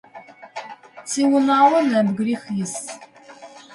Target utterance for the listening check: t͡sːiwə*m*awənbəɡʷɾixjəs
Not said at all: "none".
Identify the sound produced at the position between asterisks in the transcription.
n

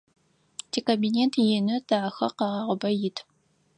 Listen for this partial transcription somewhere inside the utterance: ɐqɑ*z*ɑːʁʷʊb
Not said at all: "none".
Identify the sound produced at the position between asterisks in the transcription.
ʁ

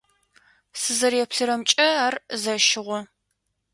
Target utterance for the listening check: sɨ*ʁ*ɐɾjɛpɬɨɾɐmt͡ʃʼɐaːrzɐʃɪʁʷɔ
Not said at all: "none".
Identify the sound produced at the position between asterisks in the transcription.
z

